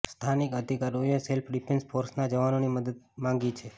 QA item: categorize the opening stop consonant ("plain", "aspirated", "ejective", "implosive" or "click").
aspirated